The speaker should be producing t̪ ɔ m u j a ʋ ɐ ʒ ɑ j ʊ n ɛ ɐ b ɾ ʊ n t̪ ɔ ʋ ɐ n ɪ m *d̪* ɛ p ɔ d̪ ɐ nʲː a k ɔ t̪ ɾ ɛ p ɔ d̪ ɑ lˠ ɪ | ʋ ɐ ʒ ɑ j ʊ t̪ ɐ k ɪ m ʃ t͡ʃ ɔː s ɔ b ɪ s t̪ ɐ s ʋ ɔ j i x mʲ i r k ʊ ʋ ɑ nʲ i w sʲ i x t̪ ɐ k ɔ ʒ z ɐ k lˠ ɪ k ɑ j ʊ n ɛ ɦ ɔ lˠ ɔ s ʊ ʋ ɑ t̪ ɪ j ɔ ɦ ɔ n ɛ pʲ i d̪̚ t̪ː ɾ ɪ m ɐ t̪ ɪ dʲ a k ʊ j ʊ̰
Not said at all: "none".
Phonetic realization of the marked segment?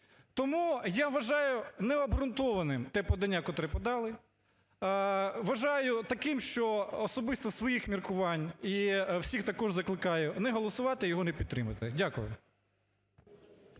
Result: t̪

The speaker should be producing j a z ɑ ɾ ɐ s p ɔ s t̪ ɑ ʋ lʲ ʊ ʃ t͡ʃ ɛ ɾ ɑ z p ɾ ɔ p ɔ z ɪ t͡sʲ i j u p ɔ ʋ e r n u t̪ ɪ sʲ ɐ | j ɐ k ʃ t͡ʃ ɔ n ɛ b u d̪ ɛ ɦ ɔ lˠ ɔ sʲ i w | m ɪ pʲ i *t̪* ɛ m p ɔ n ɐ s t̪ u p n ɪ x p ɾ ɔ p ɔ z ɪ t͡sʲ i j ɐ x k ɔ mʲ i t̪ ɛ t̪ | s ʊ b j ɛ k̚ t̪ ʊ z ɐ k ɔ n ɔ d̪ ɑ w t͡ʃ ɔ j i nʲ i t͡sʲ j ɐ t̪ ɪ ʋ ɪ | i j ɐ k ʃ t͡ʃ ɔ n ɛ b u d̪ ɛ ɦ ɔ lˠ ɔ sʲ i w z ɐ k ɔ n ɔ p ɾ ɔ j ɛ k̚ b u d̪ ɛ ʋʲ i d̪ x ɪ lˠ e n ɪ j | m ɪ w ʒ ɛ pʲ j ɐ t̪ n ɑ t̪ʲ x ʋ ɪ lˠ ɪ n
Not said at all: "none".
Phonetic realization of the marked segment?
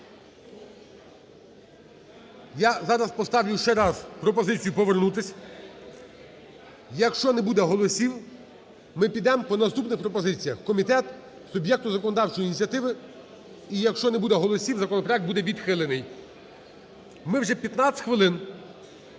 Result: d̪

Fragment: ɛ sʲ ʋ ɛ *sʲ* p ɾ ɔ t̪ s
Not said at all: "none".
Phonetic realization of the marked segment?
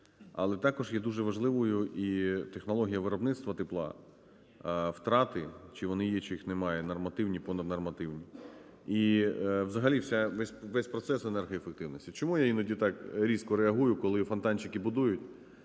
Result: sʲ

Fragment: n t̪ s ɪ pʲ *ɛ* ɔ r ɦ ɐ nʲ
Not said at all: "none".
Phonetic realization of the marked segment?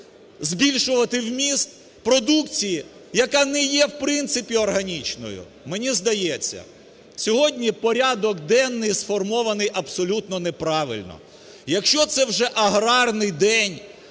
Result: i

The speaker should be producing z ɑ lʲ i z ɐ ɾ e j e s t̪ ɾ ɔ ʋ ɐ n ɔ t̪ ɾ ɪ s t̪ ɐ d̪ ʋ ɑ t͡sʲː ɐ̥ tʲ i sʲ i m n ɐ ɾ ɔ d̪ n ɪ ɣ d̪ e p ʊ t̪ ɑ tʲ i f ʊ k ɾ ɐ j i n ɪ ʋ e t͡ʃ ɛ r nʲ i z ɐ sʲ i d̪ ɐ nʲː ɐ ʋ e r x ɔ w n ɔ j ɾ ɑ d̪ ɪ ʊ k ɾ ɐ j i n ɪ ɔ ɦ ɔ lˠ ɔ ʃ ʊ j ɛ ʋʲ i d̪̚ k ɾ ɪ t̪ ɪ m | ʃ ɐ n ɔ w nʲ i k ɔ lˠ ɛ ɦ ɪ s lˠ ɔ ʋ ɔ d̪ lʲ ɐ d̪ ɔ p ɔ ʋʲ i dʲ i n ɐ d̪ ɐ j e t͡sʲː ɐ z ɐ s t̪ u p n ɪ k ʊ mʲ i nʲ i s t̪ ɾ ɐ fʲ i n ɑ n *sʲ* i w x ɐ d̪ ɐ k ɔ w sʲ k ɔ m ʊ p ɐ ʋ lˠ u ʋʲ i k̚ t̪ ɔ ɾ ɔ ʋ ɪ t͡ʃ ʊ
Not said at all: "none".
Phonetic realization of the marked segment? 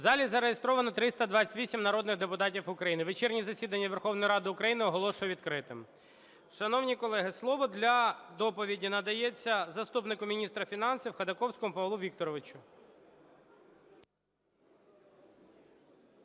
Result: sʲ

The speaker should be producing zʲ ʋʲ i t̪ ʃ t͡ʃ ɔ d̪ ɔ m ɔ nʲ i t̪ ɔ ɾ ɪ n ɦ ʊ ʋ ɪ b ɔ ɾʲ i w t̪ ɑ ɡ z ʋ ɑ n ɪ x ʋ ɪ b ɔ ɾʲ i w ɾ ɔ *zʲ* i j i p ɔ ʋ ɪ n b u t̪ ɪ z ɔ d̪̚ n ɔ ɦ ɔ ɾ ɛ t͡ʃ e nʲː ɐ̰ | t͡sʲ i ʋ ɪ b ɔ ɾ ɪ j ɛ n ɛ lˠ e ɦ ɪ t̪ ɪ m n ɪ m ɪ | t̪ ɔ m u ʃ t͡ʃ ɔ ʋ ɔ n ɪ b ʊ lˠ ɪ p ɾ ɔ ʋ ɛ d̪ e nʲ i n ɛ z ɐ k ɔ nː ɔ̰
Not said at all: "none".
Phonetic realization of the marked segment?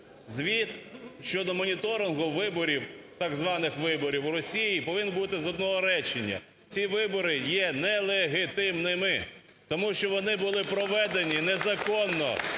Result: sʲ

